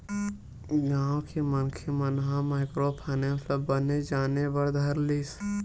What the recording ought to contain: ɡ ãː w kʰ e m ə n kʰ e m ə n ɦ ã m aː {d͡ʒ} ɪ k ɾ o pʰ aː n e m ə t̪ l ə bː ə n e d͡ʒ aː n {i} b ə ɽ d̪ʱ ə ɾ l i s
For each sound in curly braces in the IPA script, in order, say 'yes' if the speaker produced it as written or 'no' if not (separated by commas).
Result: no, no